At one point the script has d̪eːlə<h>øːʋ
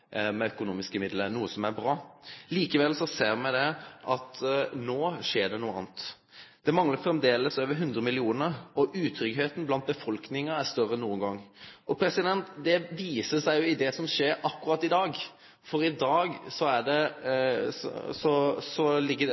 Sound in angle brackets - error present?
yes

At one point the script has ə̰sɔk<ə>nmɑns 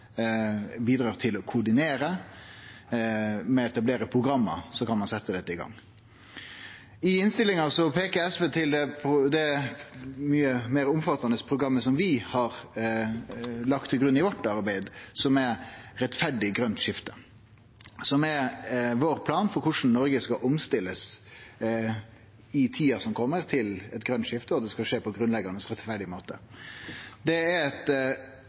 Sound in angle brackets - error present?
yes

